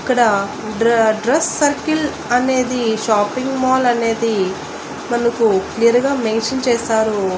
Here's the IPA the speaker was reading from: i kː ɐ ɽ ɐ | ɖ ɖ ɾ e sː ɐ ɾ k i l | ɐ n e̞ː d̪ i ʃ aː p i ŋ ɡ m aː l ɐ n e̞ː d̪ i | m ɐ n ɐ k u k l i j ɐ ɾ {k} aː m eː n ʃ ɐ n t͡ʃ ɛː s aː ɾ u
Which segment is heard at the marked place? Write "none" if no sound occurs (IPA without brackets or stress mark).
ɡ